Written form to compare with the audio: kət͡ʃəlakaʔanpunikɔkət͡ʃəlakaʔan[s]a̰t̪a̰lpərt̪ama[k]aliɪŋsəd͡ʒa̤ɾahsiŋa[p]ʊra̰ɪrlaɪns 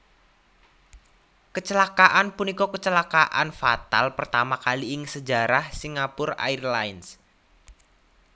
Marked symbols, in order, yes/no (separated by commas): no, yes, yes